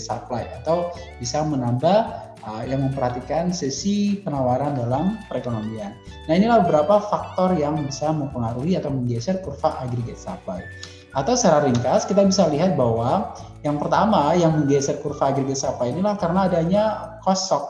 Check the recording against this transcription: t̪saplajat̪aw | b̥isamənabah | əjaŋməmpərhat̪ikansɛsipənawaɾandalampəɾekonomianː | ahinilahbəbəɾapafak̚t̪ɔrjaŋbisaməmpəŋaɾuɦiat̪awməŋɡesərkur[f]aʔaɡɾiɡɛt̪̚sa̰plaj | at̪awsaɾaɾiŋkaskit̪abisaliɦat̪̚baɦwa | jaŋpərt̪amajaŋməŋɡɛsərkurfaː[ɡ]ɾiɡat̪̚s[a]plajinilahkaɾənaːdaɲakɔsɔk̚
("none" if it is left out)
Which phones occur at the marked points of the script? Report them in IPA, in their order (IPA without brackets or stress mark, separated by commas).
f, ɡ, a